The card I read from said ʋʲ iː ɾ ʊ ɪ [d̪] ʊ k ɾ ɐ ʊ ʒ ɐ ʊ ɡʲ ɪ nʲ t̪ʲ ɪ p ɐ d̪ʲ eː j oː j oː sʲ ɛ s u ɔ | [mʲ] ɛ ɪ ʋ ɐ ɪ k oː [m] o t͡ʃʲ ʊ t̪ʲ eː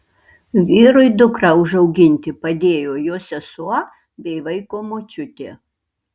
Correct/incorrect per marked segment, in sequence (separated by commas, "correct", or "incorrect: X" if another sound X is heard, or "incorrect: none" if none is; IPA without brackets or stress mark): correct, incorrect: bʲ, correct